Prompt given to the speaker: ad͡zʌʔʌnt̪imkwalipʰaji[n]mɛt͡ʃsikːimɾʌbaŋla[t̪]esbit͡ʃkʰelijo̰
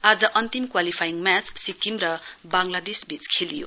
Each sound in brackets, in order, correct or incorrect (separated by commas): incorrect, incorrect